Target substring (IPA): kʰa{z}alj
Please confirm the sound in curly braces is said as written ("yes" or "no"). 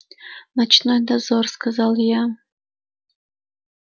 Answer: yes